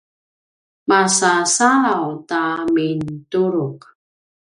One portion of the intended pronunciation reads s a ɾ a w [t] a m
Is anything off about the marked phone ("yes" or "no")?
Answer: no